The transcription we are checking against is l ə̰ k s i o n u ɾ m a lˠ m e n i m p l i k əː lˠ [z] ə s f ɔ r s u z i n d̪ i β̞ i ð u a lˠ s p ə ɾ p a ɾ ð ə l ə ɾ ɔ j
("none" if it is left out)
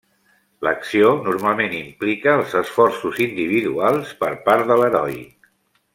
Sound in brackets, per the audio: z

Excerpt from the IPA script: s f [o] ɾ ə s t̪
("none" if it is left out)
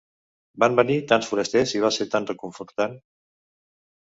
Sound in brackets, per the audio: u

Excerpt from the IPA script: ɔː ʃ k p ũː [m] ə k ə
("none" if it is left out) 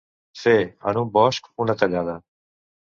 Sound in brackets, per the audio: n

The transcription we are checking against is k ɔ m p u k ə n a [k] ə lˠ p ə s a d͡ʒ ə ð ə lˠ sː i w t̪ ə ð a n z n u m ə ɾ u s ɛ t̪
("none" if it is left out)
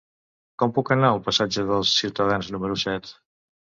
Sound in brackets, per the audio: none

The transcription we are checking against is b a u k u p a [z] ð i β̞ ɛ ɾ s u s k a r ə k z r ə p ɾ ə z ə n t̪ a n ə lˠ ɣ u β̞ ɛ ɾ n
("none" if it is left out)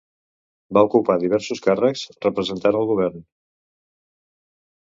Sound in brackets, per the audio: none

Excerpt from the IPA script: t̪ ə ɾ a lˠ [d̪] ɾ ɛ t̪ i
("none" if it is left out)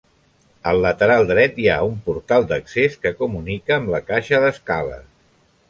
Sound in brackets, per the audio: d̪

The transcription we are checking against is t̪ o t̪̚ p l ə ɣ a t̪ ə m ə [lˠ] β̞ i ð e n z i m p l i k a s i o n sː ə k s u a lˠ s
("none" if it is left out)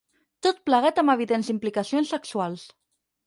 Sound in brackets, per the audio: none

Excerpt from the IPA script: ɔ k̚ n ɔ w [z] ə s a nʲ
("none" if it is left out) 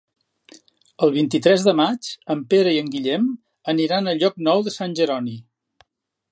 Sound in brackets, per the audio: ð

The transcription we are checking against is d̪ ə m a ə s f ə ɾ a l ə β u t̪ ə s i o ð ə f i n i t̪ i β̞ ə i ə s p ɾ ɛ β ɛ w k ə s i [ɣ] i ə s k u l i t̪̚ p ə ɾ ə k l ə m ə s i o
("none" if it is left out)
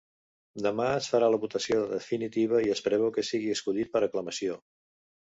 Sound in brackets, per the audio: ɣ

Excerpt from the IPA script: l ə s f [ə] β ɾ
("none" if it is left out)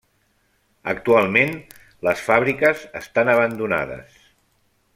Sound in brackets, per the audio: a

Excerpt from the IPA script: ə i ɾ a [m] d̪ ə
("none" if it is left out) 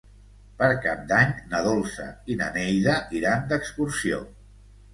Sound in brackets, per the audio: n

